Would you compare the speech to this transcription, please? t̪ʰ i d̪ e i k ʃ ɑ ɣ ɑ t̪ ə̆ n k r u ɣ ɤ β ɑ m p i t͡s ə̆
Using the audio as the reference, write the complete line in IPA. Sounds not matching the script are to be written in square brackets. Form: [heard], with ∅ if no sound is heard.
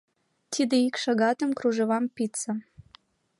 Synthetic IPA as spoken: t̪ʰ i d̪ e i k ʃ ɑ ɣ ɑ t̪ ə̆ [m] k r u [ʒ] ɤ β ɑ m p i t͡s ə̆